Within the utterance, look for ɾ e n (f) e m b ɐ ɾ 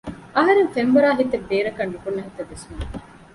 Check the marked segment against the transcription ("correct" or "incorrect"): correct